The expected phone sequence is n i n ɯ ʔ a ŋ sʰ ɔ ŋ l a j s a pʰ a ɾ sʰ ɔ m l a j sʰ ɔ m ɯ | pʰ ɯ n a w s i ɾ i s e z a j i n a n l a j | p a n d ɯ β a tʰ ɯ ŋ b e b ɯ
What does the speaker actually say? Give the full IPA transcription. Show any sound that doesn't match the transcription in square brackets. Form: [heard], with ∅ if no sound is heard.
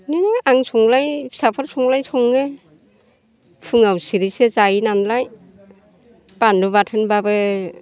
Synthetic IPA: n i n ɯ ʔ a ŋ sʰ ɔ ŋ l a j s a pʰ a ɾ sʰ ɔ [ŋ] l a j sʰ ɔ [ŋ] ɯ | pʰ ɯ [ŋ] a w s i ɾ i s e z a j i n a n l a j | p a n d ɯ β a tʰ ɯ [n] b [a] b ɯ